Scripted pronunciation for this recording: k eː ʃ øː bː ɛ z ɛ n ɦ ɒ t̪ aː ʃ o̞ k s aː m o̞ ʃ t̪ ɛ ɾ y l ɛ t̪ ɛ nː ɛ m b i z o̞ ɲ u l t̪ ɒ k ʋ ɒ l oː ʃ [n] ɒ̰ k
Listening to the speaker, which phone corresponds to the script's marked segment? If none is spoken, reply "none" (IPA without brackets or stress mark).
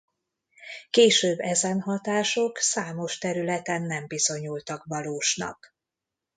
n